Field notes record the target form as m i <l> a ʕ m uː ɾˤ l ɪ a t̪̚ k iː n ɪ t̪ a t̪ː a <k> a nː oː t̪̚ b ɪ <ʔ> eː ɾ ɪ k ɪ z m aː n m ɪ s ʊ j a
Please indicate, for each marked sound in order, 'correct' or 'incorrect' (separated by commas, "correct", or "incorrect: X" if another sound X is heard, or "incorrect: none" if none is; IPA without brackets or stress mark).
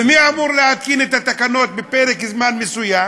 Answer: incorrect: none, correct, incorrect: p